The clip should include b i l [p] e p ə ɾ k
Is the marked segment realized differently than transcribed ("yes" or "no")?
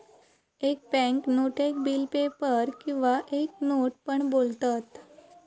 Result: no